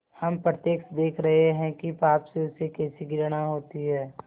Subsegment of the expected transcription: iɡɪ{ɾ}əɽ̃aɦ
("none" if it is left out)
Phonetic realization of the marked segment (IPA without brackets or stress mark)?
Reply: ɾ